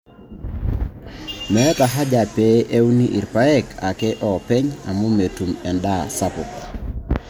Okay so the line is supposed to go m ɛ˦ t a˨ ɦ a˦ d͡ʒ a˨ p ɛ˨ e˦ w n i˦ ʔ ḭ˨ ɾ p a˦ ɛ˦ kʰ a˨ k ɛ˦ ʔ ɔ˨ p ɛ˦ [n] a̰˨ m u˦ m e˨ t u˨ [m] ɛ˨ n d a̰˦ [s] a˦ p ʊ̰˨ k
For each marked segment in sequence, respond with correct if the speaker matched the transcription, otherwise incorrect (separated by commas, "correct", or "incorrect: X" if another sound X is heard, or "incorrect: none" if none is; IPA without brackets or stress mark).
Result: incorrect: ɲ, correct, correct